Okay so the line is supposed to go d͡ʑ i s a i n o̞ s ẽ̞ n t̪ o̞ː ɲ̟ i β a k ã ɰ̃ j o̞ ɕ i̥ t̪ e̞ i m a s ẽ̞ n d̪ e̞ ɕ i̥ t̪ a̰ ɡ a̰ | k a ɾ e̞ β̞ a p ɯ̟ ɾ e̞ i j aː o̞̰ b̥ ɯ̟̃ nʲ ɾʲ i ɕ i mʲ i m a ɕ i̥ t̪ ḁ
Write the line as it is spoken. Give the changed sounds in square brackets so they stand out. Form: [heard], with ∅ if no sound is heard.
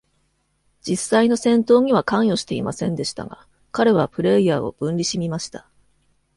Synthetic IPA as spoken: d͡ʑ i s a i n o̞ s ẽ̞ n t̪ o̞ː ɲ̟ i β a k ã ɰ̃ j o̞ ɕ i̥ t̪ e̞ i m a s ẽ̞ n d̪ e̞ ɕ i̥ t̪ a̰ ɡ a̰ | k a ɾ e̞ β̞ a p ɯ̟ ɾ e̞ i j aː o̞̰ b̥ ɯ̟̃ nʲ ɾʲ i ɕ i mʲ i m a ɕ i̥ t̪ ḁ